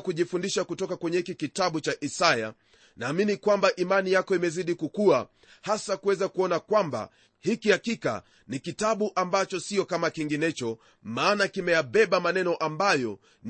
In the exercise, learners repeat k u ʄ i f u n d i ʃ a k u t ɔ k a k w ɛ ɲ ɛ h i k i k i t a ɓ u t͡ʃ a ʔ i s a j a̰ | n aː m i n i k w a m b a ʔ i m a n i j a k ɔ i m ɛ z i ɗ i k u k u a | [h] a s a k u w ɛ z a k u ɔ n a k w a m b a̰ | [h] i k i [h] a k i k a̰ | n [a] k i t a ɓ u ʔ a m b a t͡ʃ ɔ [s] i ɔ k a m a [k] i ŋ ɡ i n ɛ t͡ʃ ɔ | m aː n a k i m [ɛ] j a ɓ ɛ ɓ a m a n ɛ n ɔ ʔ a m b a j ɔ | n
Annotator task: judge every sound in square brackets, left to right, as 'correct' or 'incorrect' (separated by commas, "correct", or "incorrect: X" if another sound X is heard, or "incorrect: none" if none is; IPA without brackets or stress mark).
correct, correct, correct, incorrect: i, correct, correct, correct